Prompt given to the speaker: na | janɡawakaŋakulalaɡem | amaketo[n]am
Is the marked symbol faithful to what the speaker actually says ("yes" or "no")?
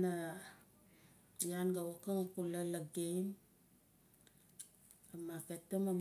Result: no